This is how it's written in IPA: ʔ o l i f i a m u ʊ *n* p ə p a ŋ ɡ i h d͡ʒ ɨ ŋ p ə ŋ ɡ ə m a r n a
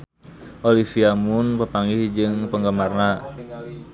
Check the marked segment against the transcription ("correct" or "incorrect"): correct